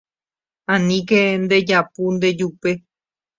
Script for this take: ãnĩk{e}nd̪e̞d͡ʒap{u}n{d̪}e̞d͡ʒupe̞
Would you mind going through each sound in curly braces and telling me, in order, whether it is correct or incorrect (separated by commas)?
correct, correct, correct